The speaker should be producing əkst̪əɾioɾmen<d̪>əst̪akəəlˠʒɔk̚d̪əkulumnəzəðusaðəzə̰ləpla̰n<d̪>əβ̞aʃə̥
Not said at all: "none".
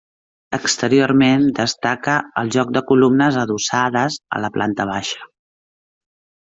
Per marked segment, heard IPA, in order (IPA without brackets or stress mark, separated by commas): d̪, t̪